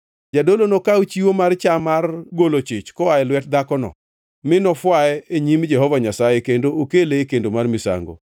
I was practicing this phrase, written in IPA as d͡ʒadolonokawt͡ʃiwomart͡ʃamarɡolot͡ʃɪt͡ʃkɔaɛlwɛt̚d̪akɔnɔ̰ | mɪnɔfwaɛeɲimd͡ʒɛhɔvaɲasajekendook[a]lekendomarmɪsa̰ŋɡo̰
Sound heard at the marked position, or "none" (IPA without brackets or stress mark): e